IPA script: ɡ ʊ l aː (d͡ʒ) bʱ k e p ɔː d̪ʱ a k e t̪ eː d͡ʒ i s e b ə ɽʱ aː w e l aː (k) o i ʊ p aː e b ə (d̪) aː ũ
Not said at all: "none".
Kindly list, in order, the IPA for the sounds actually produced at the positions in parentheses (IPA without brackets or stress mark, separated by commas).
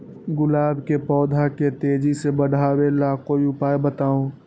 none, k, t̪